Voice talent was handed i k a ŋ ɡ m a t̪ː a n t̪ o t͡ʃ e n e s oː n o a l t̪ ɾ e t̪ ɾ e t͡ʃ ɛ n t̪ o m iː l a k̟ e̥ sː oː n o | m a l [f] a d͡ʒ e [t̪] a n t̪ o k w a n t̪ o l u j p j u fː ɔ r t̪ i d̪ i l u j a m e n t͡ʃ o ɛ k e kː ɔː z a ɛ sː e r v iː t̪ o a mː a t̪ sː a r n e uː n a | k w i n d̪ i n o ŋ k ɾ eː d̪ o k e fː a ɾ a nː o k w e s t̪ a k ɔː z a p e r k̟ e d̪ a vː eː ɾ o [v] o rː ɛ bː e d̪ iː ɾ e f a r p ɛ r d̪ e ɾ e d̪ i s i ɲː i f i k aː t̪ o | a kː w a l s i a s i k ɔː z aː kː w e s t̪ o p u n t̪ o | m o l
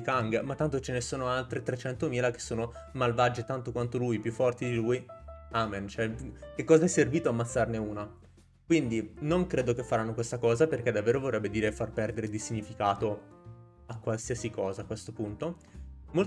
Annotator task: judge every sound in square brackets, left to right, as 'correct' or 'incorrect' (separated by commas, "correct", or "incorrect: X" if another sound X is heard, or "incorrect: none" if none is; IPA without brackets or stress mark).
incorrect: v, correct, correct